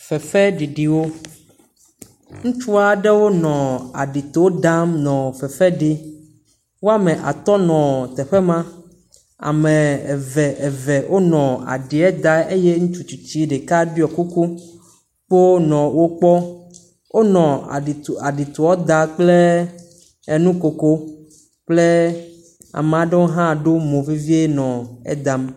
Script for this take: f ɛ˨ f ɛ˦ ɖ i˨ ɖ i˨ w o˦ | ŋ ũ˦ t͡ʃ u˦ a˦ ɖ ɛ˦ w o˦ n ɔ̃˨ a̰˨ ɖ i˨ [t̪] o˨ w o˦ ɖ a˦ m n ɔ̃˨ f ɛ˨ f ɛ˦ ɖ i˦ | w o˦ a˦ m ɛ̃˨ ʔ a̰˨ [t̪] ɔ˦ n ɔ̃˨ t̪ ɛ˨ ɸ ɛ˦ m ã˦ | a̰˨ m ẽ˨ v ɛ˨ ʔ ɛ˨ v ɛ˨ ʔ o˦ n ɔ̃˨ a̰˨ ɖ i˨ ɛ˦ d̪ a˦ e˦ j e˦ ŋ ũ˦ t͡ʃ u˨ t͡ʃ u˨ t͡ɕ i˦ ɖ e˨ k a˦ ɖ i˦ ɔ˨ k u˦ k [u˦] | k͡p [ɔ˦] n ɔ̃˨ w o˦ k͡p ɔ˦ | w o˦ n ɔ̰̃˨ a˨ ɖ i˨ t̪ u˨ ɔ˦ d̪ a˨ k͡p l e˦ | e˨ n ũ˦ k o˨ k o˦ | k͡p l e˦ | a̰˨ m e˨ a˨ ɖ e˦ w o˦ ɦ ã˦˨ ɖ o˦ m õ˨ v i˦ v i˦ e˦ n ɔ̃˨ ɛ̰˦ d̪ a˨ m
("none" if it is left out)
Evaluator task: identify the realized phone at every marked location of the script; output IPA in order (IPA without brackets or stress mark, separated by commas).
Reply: t̪, t̪, u˦, o˦